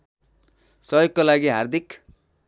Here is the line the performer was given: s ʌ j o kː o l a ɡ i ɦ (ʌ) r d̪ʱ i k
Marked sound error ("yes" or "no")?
yes